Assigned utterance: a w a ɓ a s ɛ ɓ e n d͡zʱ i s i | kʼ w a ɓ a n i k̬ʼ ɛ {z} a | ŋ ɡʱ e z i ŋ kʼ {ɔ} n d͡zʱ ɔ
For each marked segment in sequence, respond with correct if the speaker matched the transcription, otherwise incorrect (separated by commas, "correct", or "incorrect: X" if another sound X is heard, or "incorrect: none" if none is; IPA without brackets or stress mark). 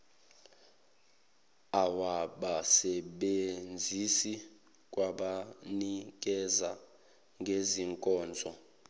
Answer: correct, incorrect: ɔː